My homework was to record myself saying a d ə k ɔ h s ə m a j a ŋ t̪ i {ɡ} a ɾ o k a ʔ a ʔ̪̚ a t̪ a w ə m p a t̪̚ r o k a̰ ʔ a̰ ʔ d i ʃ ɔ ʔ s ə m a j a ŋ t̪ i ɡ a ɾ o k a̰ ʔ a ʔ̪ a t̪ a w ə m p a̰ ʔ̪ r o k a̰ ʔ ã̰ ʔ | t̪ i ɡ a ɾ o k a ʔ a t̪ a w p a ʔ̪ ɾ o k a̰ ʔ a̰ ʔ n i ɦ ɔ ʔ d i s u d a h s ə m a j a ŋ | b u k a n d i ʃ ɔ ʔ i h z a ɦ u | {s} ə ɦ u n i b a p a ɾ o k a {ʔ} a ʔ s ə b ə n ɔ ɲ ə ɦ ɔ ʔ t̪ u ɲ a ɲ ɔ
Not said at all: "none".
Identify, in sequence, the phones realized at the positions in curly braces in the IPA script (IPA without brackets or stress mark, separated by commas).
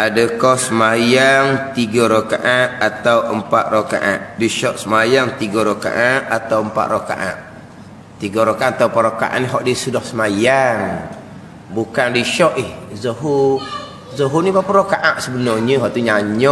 ɡ, z, ʔ